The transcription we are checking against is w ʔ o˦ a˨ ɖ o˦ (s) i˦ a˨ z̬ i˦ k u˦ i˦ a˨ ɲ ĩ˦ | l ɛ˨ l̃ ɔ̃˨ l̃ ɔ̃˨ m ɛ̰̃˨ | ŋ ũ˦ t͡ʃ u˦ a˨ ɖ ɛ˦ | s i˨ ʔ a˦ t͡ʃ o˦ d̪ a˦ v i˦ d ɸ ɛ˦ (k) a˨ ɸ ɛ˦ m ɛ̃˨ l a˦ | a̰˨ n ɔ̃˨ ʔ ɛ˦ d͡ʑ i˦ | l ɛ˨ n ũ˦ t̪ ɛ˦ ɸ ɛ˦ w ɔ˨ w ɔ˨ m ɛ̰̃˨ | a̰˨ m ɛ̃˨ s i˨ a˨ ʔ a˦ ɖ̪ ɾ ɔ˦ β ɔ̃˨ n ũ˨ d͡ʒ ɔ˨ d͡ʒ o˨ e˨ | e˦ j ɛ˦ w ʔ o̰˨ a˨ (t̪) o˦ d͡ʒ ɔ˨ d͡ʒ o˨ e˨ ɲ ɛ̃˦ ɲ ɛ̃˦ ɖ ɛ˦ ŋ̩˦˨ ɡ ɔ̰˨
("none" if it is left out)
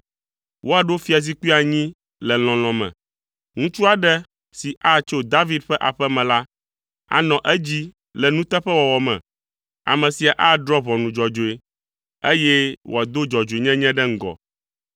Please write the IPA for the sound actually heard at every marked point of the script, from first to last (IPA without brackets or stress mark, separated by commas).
f, ʔ, d̪